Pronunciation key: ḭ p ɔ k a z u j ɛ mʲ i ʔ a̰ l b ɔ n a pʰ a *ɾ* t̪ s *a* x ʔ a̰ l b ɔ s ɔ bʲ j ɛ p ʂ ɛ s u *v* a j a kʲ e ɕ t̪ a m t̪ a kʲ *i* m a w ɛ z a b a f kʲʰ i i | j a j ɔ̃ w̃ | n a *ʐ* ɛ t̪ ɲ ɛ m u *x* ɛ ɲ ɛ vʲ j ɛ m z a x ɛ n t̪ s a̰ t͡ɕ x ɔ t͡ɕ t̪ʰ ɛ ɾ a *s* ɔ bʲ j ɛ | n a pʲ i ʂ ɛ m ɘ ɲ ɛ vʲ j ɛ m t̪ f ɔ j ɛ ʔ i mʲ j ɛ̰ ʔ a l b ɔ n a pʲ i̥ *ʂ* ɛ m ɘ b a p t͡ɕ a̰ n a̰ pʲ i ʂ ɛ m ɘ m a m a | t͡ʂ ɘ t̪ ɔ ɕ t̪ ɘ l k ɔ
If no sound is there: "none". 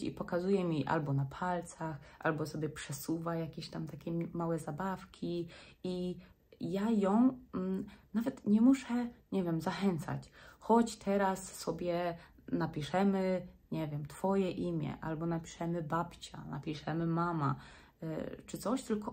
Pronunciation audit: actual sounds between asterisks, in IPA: l, a, v, ɛ, v, ʂ, sː, ʂ

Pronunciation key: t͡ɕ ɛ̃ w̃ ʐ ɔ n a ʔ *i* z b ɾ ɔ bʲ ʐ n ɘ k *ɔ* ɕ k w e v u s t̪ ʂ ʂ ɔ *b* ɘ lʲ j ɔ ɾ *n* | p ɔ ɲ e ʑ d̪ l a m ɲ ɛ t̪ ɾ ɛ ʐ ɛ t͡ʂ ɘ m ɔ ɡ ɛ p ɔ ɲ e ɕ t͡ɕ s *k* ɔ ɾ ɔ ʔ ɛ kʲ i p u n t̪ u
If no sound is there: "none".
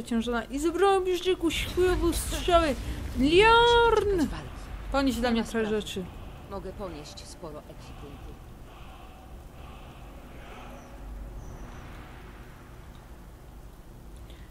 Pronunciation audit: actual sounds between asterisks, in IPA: i, u, w, n, p

